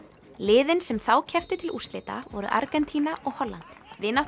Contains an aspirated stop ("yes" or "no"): yes